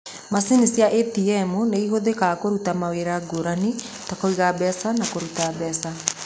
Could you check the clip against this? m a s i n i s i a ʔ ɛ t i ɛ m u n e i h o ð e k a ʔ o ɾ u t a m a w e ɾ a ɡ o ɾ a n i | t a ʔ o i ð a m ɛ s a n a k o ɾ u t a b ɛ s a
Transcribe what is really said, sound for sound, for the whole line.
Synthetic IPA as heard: m a s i n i s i a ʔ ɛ t i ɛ m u n e i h o ð e k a k o ɾ u t a m a w e ɾ a ɡ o ɾ a n i | t a k o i ɣ a b ɛ s a n a k o ɾ u t a b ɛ s a